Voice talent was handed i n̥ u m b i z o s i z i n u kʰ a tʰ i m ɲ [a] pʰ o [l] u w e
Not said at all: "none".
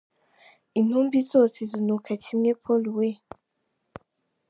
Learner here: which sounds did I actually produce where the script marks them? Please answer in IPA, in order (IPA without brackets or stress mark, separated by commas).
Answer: e, l